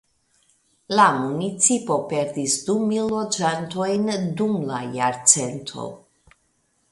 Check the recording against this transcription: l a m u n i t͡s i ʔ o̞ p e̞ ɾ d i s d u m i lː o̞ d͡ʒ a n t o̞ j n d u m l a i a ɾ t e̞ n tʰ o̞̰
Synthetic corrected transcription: l a m u n i t͡s i p o̞ p e̞ ɾ d i s d u m i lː o̞ d͡ʒ a n t o̞ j n d u m l a j a ɾ t͡s e̞ n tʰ o̞̰